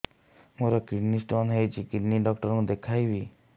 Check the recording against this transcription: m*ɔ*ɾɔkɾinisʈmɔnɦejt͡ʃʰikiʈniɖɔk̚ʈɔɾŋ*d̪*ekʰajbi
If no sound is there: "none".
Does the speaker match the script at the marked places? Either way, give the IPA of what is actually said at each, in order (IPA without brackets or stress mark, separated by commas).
o, d̪